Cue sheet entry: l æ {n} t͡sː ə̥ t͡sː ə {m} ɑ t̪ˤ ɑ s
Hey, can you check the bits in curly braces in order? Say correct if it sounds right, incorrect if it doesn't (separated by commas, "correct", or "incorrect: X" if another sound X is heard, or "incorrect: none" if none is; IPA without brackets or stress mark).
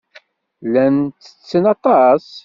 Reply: correct, incorrect: n